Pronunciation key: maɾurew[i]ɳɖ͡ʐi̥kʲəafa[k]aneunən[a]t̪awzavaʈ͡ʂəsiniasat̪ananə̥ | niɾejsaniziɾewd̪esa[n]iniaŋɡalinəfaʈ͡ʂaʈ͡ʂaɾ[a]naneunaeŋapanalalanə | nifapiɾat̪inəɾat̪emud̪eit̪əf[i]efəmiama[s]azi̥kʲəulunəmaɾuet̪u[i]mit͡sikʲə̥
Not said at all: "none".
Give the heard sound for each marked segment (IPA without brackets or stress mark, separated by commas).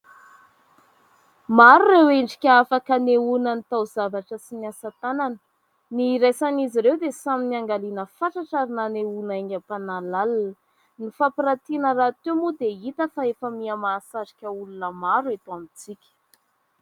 e, k, i, m, i, a, s, a